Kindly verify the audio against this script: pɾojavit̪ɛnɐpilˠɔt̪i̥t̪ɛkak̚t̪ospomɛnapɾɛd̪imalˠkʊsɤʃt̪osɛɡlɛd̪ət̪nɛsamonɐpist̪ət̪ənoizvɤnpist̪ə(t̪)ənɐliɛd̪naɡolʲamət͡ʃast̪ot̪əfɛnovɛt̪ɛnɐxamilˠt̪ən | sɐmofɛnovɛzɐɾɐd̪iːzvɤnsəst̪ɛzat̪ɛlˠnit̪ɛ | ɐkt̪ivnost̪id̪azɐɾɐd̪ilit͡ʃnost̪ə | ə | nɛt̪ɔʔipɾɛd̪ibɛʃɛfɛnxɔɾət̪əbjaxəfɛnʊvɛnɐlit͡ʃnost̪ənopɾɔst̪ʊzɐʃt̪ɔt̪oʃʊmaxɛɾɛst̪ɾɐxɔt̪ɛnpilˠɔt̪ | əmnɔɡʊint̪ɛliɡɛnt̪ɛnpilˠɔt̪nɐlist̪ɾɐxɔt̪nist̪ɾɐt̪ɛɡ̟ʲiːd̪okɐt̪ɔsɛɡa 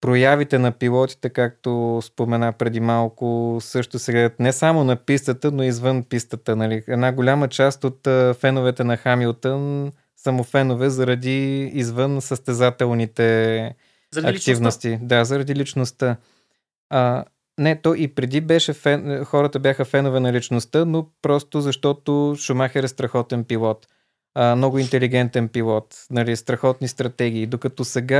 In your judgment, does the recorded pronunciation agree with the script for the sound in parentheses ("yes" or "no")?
yes